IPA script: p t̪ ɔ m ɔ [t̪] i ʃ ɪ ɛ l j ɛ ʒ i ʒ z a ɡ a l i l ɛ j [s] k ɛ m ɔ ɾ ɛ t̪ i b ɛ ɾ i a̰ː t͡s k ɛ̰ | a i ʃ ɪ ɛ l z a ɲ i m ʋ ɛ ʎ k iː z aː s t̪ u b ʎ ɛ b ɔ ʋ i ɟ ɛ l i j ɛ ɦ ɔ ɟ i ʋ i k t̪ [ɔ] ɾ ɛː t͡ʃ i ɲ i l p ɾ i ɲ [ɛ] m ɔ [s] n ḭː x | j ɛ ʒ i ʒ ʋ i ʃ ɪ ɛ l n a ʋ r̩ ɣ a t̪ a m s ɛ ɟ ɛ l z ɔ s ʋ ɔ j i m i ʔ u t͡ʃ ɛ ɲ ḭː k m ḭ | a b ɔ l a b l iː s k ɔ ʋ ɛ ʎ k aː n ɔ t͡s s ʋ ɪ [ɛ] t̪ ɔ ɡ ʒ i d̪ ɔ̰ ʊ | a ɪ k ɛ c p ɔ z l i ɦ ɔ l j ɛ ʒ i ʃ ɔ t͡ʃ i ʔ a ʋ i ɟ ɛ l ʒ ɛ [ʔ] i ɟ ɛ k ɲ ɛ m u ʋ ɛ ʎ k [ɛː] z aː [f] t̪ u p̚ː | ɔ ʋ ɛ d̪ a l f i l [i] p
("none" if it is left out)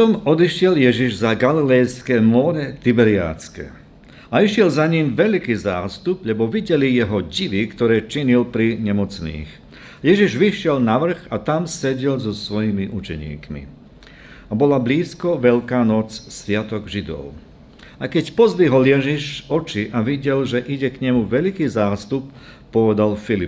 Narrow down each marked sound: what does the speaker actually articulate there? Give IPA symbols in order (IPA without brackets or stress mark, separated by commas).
d̪, s, ɔ, ɛ, t͡s, a, ʔ, iː, s, i